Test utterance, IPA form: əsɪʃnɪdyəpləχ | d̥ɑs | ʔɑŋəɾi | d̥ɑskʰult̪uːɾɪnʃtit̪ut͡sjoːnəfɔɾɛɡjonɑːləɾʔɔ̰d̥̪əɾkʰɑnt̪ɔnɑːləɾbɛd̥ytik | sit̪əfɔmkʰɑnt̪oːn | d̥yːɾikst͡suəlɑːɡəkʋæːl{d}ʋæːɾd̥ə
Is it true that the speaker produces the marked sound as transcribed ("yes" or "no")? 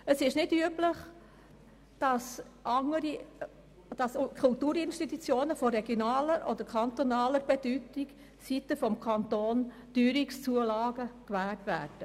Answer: no